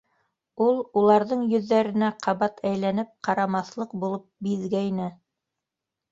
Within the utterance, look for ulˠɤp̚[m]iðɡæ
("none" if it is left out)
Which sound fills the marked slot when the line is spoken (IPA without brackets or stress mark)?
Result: b